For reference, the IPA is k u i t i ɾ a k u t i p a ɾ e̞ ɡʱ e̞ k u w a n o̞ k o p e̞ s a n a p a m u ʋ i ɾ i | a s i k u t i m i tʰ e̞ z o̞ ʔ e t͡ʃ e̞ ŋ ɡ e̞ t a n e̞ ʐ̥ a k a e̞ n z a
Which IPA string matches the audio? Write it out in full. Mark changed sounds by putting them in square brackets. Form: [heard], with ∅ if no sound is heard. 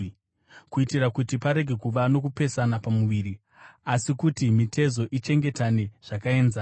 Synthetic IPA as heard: k u i t i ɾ a k u t i p a ɾ e̞ ɡʱ e̞ k u [ʋ] a n o̞ k [u] p e̞ s a n a p a m u ʋ i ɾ i | a s i k u t i m i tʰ e̞ z o̞ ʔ [i] t͡ʃ e̞ ŋ ɡ e̞ t a n e̞ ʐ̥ a k a e̞ n z a